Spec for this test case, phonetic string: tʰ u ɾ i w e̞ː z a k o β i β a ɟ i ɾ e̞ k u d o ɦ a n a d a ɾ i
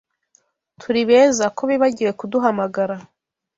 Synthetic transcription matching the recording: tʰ u ɾ i β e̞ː z a k o β i β a ɟ i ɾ e̞ k u d u ɦ a m a ɡ a ɾ a